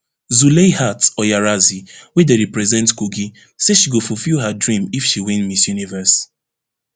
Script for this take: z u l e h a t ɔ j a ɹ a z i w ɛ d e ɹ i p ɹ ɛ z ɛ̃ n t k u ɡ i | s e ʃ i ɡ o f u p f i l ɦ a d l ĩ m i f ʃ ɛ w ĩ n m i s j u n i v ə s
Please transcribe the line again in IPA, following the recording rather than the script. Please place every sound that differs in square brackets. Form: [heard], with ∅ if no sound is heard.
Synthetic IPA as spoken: z u l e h a t ɔ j a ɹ a z i w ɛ d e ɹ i p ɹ ɛ z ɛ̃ n t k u ɡ i | s e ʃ i ɡ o f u [∅] f i l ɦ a d [ɹ] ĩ m i f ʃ [i] w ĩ n m i s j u n i v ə s